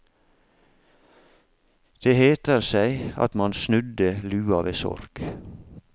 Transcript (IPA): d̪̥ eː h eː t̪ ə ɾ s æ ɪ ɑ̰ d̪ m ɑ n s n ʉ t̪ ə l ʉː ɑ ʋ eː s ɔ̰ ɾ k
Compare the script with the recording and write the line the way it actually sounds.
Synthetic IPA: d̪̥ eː h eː t̪ ə ɾ s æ ɪ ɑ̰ t̪ m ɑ n s n ʉ d̪ ə l ʉː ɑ ʋ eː s ɔ̰ ɾ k